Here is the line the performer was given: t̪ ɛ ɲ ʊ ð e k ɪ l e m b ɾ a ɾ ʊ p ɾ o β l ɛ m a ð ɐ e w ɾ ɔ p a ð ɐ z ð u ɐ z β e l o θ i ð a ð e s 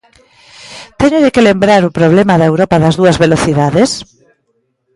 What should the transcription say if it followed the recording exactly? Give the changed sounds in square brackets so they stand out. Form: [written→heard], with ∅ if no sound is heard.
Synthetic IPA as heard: t̪ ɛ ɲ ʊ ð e k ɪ l e m b ɾ a ɾ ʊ p ɾ o β l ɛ m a ð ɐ e w ɾ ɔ p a ð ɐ z ð u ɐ z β e l o θ i ð a ð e s